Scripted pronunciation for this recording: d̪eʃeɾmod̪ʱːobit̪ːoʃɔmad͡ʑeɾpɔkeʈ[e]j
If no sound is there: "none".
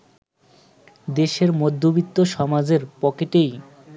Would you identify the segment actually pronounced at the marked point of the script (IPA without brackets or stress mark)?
e